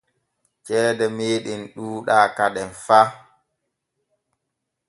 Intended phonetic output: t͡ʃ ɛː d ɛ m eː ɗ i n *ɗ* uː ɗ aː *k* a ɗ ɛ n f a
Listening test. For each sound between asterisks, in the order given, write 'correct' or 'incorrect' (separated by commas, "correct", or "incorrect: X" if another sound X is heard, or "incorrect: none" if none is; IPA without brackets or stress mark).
correct, correct